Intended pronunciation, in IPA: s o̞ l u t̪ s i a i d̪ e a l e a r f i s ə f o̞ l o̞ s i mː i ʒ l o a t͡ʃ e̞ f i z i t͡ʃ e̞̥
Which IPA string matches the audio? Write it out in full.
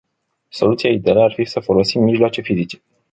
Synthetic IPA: s o̞ l u t̪ s i a i d̪ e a l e a r f i s ə f o̞ l o̞ s i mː i ʒ l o a t͡ʃ e̞ f i z i t͡ʃ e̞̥

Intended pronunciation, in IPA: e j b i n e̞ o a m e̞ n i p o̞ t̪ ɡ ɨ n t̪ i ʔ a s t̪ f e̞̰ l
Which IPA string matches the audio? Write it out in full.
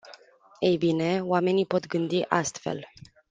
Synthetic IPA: e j b i n e̞ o a m e̞ n i p o̞ t̪ ɡ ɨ n d̪ i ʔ a s t̪ f e̞̰ l

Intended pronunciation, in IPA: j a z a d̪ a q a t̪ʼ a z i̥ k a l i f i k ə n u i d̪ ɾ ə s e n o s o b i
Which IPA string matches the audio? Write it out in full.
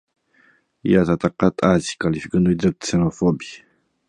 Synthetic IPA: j a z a t̪ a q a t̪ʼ a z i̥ k a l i f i k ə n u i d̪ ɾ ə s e n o f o b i

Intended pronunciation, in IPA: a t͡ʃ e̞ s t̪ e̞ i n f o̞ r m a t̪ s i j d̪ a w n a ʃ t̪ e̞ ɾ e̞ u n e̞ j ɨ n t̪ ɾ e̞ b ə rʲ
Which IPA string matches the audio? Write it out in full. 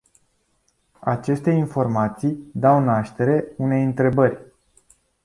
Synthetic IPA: a t͡ʃ e̞ s t̪ e̞ i n f o̞ r m a t̪ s i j d̪ a w n a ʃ t̪ e̞ ɾ e̞ u n e̞ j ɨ n t̪ ɾ e̞ b ə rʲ

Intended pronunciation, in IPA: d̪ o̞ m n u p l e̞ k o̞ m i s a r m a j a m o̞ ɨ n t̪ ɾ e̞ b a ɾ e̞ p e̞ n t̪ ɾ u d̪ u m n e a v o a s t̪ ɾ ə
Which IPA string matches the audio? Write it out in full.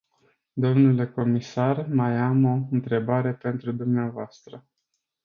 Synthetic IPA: d̪ o̞ m n u l e̞ k o̞ m i s a r m a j a m o̞ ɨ n t̪ ɾ e̞ b a ɾ e̞ p e̞ n t̪ ɾ u d̪ u m n e a v o a s t̪ ɾ ə

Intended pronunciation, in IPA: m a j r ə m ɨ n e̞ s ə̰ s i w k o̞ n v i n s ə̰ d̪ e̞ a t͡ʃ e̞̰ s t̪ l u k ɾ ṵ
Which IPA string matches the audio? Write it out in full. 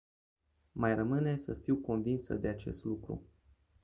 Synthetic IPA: m a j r ə m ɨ n e̞ s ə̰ f i w k o̞ n v i n s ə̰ d̪ e̞ a t͡ʃ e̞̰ s t̪ l u k ɾ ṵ

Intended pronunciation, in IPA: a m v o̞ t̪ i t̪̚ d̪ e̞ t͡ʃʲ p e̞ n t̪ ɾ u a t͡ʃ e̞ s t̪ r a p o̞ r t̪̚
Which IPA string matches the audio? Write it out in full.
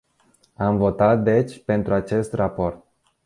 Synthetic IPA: a m v o̞ t̪ a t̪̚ d̪ e̞ t͡ʃʲ p e̞ n t̪ ɾ u a t͡ʃ e̞ s t̪ r a p o̞ r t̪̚

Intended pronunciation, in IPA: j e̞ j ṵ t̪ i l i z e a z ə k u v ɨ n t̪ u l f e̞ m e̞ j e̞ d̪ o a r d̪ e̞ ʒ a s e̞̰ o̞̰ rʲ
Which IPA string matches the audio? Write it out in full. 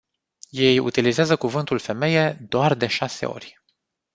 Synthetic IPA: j e̞ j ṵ t̪ i l i z e a z ə k u v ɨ n t̪ u l f e̞ m e̞ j e̞ d̪ o a r d̪ e̞ ʃ a s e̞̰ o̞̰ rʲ

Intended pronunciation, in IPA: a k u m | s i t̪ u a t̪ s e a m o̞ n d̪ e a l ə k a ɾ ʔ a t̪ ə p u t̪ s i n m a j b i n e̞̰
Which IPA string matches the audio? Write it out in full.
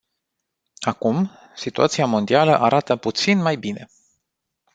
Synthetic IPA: a k u m | s i t̪ u a t̪ s i a m o̞ n d̪ i a l ə ʔ a ɾ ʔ a t̪ ə p u t̪ s i n m a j b i n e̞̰

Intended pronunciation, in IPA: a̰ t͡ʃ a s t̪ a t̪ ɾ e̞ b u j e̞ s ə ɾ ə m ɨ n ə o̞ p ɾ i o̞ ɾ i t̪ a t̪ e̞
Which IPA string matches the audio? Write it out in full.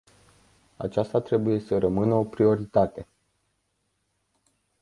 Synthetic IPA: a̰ t͡ʃ a s t̪ a t̪ ɾ e̞ b u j e̞ s ə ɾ ə m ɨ n ə o̞ p ɾ i o̞ ɾ i t̪ a t̪ e̞

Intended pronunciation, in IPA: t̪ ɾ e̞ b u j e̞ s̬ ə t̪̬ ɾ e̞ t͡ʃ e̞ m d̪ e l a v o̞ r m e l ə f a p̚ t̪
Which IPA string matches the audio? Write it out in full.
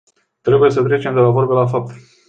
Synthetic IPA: t̪ ɾ e̞ b u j e̞ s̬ ə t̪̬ ɾ e̞ t͡ʃ e̞ m d̪ e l a v o̞ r b e l a f a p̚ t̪

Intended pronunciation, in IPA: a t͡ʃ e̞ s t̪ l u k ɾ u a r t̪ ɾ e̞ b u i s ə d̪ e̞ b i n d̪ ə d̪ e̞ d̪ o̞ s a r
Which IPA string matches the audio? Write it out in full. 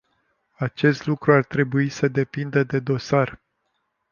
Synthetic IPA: a t͡ʃ e̞ s t̪ l u k ɾ u a r t̪ ɾ e̞ b u i s ə d̪ e̞ p i n d̪ ə d̪ e̞ d̪ o̞ s a r

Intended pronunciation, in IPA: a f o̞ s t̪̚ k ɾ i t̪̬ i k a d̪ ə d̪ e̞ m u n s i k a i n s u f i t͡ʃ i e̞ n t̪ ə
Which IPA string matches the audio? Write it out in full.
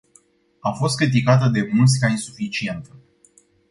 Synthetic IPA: a f o̞ s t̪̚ k ɾ i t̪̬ i k a t̪ ə d̪ e̞ m u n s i k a i n s u f i t͡ʃ i e̞ n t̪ ə

